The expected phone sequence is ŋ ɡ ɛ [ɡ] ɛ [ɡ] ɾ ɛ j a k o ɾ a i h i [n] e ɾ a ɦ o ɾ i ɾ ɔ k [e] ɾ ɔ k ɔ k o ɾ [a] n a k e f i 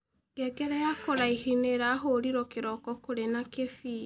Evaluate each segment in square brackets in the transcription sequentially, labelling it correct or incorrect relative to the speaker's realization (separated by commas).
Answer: correct, incorrect, correct, correct, incorrect